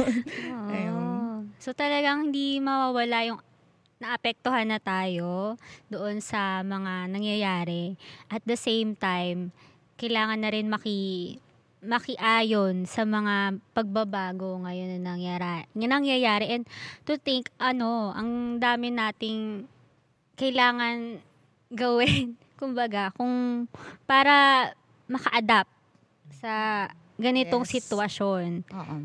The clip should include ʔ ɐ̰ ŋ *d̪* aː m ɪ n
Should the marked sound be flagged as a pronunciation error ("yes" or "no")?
no